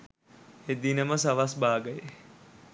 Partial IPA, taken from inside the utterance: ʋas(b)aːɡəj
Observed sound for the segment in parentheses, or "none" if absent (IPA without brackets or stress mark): b